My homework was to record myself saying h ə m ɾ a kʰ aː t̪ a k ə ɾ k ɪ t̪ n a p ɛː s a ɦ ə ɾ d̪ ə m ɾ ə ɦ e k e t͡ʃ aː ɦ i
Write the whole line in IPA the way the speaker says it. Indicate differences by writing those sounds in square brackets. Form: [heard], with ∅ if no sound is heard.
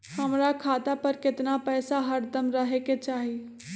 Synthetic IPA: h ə m ɾ a kʰ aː t̪ a [p] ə ɾ k ɪ t̪ n a p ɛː s a ɦ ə ɾ d̪ ə m ɾ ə ɦ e k e t͡ʃ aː ɦ i

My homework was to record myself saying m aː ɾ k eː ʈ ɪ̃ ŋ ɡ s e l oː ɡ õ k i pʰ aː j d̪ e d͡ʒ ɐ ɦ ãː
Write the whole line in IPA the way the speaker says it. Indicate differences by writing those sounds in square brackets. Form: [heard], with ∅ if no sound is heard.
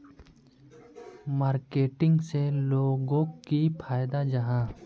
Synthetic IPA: m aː ɾ k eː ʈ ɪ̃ ŋ ɡ s e l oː ɡ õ k i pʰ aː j d̪ [a] d͡ʒ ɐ ɦ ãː

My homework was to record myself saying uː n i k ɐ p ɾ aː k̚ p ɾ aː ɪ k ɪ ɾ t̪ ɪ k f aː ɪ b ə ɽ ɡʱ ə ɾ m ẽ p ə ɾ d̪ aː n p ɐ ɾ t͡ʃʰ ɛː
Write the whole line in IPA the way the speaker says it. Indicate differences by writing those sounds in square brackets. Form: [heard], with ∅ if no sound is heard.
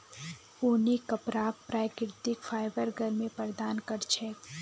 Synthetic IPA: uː n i k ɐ p ɾ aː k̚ p ɾ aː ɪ k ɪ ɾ t̪ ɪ k f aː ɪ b ə [ɾ] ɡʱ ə ɾ m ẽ p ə ɾ d̪ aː n [k] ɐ ɾ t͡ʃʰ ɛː

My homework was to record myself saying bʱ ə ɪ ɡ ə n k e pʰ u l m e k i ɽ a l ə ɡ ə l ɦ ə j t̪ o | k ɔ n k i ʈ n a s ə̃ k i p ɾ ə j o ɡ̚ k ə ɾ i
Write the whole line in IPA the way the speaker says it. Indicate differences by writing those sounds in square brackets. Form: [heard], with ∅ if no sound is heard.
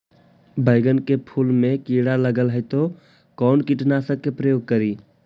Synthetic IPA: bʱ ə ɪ ɡ ə n k e pʰ u l m e k i ɽ a l ə ɡ ə l ɦ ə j t̪ o | k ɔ n k i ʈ n a s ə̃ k [e] p ɾ ə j o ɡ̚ k ə ɾ i

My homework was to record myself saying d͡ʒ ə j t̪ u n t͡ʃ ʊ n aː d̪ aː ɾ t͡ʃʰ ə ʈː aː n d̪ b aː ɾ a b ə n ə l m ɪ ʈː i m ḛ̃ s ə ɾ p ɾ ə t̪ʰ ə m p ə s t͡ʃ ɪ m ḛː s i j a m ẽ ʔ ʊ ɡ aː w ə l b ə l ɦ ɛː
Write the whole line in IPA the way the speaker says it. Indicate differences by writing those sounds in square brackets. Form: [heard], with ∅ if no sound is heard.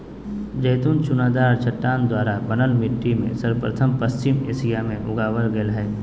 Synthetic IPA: d͡ʒ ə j t̪ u n t͡ʃ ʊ n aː d̪ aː ɾ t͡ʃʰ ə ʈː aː n d̪ [w] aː ɾ a b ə n ə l m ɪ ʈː i m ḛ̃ s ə ɾ p ɾ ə t̪ʰ ə m p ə s t͡ʃ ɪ m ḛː s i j a m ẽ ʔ ʊ ɡ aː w ə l [ɡ] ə l ɦ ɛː

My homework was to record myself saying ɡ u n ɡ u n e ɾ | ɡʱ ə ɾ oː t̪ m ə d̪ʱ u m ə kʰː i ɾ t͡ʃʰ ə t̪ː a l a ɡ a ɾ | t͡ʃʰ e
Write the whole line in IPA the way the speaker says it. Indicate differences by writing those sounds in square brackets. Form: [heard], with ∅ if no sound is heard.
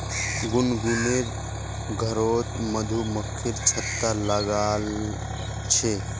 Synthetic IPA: ɡ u n ɡ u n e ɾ | ɡʱ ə ɾ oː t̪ m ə d̪ʱ u m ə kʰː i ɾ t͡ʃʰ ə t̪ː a l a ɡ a [l] | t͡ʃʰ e

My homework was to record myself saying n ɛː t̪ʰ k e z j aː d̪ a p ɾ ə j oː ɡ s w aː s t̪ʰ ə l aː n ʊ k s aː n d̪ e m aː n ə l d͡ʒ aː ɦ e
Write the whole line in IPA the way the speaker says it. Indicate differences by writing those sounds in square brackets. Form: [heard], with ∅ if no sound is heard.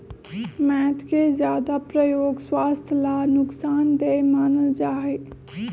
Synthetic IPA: [m] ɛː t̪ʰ k e z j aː d̪ a p ɾ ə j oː ɡ s w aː s t̪ʰ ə l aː n ʊ k s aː n d̪ e m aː n ə l d͡ʒ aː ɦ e

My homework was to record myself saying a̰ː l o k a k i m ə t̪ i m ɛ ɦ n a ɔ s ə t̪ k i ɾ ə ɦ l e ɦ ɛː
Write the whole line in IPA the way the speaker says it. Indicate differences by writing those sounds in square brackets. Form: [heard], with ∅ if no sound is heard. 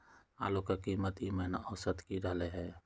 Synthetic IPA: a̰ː l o k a k i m ə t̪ i m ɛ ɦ n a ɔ s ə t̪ k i ɾ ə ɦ l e ɦ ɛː

